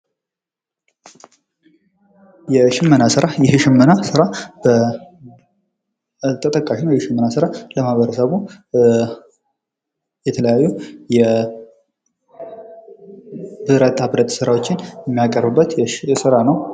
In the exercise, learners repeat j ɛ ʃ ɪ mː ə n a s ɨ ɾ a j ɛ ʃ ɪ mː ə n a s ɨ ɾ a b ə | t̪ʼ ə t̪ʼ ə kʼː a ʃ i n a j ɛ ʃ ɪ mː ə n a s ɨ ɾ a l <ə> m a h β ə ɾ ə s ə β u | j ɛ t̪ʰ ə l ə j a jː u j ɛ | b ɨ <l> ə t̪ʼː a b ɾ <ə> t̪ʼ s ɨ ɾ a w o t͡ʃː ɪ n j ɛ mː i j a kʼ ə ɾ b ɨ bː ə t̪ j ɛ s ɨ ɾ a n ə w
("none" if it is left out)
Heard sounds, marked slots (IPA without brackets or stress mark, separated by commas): ə, ɾ, ə